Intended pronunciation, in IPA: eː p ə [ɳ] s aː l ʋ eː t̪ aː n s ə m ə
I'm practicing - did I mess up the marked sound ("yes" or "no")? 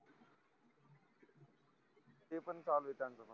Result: yes